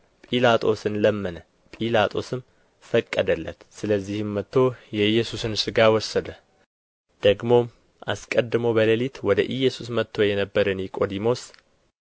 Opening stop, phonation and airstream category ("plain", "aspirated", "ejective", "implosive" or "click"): ejective